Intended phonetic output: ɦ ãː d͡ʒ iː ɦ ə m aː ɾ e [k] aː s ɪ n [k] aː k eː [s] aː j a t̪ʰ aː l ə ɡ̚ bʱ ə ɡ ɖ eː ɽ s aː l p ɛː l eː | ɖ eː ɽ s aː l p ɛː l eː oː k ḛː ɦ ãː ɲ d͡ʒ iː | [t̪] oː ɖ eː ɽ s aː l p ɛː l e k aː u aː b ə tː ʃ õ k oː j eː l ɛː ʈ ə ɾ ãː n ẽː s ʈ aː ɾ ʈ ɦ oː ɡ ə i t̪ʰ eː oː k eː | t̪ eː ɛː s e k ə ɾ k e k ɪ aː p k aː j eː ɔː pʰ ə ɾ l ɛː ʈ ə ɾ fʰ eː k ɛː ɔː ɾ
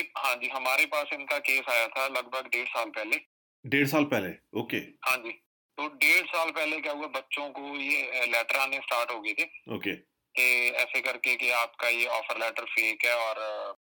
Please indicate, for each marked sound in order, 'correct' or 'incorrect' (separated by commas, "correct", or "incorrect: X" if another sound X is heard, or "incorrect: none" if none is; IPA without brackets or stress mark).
incorrect: p, correct, correct, correct